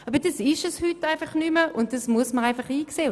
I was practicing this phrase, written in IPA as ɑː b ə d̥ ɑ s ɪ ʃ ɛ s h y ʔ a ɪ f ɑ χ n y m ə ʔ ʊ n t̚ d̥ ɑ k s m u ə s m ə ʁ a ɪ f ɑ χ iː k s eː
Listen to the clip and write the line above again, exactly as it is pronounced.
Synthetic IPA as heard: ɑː b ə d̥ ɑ s ɪ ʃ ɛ s h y t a ɪ f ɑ χ n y m ə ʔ ʊ n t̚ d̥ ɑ s m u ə s m ə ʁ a ɪ f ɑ χ iː k s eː